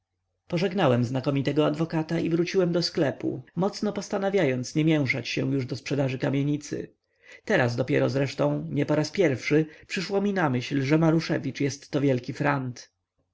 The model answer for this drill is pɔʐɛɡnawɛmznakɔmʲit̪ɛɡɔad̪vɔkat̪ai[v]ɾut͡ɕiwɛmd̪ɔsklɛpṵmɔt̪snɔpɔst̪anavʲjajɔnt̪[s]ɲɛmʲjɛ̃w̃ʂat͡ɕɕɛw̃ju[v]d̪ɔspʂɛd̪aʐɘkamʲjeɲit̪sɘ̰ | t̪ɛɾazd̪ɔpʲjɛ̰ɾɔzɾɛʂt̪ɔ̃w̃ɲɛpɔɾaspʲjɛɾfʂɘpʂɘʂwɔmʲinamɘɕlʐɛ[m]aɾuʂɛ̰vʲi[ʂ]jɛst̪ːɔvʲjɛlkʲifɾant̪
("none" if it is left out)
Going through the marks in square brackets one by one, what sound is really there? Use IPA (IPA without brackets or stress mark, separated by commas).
v, s, ʐ, m, t͡ʂ